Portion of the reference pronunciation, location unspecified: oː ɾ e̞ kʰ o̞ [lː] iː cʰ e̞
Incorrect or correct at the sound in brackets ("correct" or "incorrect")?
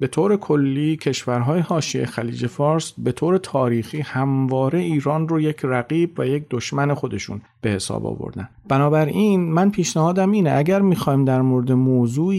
correct